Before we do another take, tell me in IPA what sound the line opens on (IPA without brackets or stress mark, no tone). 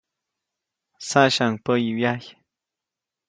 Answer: s